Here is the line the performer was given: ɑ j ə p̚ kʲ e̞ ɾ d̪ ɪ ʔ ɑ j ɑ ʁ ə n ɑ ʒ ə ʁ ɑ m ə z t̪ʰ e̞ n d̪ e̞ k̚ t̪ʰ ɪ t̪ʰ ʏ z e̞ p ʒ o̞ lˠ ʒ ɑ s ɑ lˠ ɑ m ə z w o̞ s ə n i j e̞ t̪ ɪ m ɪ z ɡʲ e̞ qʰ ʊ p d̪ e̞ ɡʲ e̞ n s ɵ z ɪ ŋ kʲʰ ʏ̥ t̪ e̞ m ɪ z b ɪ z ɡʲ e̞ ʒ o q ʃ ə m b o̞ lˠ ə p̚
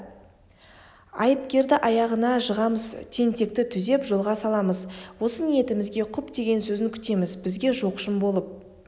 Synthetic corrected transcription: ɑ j ə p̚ kʲ e̞ ɾ d̪ ɪ ʔ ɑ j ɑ ʁ ə n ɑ ʒ ə ʁ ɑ m ə z t̪ʰ e̞ n t̪ e̞ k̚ t̪ ɪ t̪ʰ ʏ z e̞ p ʒ o̞ lˠ ʁ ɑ s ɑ lˠ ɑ m ə z w o̞ s ə n i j e̞ t̪ ɪ m ɪ z ɡʲ e̞ qʰ ʊ p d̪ e̞ ɡʲ e̞ n s ɵ z ɪ ŋ kʲʰ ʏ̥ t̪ e̞ m ɪ z b ɪ z ɡʲ e̞ ʒ o q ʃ ə m b o̞ lˠ ə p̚